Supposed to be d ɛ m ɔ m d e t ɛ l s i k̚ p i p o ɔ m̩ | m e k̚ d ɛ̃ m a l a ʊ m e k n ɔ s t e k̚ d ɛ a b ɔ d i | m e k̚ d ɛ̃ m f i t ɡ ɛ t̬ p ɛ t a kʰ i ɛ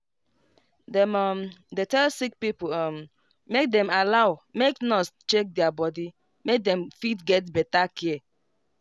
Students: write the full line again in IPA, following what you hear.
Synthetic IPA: d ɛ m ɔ m d e t ɛ l s i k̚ p i p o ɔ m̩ | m e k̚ d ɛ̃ m a l a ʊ m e k n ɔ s t͡ʃ e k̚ d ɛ a b ɔ d i | m e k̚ d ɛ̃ m f i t ɡ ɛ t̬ b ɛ t a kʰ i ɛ